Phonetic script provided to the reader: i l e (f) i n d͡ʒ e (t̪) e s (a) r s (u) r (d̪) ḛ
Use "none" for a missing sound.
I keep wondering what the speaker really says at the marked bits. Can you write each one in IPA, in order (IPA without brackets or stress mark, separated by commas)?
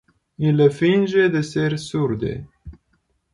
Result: f, d̪, e, u, d̪